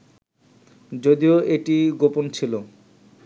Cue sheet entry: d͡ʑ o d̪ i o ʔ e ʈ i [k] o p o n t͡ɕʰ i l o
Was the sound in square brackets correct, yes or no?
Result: no